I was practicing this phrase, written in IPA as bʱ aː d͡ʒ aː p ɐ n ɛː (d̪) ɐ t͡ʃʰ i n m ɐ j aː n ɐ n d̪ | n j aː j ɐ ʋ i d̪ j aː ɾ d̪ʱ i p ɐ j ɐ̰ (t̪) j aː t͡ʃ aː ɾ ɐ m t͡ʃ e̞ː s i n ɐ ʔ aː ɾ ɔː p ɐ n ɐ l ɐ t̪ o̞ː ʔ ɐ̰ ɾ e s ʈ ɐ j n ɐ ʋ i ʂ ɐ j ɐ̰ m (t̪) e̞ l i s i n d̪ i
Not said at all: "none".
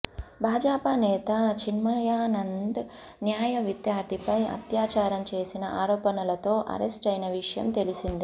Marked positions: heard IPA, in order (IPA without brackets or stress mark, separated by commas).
t̪, t̪, t̪